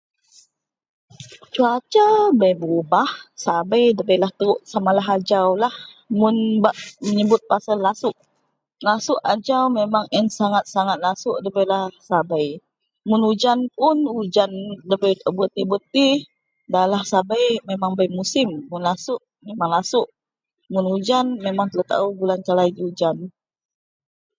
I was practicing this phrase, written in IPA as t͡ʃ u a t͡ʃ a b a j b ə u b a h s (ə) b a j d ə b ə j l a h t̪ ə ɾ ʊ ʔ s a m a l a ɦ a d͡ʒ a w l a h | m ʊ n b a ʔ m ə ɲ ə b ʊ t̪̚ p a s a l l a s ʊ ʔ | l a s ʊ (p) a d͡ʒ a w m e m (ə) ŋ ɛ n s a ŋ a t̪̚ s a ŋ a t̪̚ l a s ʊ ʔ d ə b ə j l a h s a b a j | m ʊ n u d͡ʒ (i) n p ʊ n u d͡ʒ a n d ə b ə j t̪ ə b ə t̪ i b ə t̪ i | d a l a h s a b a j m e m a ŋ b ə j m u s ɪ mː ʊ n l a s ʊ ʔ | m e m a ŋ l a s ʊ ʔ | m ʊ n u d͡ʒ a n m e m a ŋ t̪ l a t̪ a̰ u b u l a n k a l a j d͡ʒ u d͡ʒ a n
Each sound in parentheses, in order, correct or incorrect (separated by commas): incorrect, incorrect, incorrect, incorrect